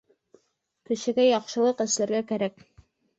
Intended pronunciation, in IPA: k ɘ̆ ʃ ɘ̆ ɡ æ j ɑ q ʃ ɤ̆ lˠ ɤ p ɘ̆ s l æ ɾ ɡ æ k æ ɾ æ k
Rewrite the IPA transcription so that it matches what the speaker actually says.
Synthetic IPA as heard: k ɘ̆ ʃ ɘ̆ ɡ æ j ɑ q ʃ ɤ̆ lˠ ɤ q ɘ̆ s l æ ɾ ɡ æ k æ ɾ æ k

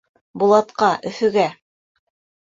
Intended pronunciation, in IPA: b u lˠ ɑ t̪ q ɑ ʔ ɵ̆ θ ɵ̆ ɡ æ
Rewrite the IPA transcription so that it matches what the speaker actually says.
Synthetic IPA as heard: b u lˠ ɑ t̪ q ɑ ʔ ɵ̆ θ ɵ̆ ɡ æ

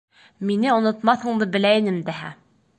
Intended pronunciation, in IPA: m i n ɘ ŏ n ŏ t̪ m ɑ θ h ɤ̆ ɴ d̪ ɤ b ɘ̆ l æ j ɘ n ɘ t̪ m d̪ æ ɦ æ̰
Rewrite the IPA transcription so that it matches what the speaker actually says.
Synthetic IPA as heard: m i n ɘ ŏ n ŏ t̪ m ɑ θ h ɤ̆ ɴ d̪ ɤ b ɘ̆ l æ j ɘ n ɘ m d̪ æ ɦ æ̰

